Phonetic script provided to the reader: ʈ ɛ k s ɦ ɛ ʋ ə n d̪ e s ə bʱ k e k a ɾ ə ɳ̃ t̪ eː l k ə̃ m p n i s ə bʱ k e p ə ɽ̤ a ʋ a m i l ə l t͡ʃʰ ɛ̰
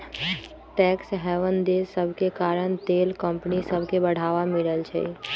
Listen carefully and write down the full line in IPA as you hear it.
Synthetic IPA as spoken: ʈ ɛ k s ɦ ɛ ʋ ə n d̪ e s ə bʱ k e k a ɾ ə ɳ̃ t̪ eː l k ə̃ m p n i s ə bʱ k e b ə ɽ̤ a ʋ a m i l ə l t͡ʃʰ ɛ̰